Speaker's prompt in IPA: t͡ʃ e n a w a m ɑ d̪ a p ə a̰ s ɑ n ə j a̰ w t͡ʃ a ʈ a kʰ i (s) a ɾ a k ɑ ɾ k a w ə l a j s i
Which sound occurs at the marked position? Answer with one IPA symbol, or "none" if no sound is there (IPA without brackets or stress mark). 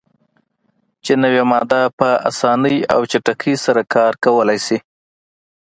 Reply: s